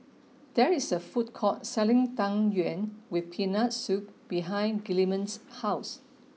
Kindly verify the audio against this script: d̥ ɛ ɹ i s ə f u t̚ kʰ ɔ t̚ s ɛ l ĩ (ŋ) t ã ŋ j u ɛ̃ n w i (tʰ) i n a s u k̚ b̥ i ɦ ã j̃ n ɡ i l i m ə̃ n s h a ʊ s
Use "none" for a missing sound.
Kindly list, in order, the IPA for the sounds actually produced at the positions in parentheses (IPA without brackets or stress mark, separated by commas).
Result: ŋ, pʰ